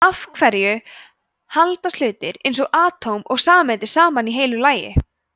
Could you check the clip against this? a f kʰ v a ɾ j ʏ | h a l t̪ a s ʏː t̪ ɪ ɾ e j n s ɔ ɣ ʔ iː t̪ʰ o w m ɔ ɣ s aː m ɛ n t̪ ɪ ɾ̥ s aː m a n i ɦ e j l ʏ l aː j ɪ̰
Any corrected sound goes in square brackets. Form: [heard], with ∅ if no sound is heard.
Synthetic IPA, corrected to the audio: a f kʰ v [ɛ] ɾ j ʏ | h a l t̪ a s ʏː t̪ ɪ ɾ e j n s ɔ ɣ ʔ [aː] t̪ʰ o w m ɔ ɣ s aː m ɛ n t̪ ɪ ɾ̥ s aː m a n i ɦ e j l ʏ l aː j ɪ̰